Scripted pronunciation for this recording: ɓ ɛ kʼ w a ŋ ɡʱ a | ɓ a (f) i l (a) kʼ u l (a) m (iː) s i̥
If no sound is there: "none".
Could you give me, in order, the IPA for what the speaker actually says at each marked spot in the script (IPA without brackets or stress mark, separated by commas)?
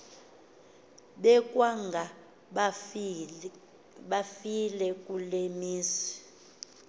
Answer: f, ɛ, e, iː